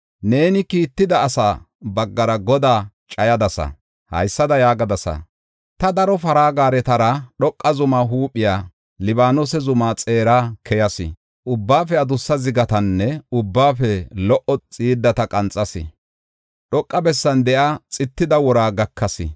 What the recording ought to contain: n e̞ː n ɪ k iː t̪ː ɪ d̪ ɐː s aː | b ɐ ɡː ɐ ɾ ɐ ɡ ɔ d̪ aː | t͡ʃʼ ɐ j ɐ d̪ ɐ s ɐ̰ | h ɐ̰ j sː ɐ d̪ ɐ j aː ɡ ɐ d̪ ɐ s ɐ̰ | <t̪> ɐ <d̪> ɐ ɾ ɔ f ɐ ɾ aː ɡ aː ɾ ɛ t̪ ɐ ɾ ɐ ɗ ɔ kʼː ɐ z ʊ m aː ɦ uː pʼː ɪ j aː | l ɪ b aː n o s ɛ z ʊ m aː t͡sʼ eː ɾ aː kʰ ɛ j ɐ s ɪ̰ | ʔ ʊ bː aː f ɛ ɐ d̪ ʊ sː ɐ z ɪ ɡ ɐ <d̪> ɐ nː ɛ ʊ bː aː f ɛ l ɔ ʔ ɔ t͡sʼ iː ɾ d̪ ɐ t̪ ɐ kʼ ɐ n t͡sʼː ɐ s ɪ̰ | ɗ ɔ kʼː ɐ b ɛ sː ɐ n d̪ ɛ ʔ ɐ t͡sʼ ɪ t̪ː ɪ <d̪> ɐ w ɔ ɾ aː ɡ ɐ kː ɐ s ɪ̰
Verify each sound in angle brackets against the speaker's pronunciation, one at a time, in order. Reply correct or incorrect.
correct, correct, incorrect: t̪, correct

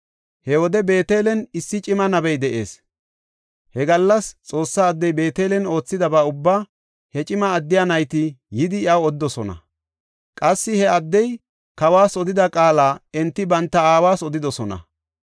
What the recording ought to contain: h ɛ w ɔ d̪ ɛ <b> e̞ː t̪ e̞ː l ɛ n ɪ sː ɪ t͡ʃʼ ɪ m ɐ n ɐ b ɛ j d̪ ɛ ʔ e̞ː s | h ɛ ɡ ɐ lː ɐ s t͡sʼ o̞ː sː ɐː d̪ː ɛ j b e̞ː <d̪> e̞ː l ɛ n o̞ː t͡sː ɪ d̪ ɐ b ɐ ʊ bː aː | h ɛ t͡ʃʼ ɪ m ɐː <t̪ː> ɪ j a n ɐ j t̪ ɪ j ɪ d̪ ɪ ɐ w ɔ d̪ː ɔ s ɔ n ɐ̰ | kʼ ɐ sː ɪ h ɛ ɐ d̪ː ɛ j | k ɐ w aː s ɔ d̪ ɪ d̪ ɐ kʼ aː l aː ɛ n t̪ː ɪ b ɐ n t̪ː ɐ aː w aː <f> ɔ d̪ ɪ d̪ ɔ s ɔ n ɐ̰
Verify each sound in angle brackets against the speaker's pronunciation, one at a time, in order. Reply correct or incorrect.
correct, incorrect: t̪, incorrect: d̪ː, incorrect: s

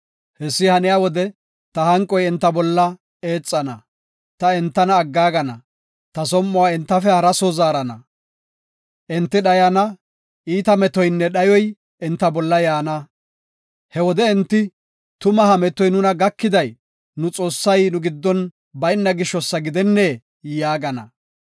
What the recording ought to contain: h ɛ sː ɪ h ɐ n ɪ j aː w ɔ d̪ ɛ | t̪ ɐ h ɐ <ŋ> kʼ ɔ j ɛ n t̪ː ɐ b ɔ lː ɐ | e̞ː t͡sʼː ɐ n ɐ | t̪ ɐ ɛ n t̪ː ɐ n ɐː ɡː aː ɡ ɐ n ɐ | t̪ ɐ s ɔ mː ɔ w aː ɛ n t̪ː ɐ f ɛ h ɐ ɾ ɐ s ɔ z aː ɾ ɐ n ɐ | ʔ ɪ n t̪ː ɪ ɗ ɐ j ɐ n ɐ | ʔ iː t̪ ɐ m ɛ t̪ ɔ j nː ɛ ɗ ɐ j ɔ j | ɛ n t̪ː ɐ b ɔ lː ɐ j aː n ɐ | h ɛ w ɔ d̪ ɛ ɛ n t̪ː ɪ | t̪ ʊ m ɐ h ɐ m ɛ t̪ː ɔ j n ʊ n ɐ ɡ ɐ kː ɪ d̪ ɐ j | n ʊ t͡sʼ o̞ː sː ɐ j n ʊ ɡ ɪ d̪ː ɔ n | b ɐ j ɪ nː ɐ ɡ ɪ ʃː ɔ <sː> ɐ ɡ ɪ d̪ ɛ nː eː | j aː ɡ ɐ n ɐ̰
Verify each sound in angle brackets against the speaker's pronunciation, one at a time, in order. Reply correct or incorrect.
correct, correct

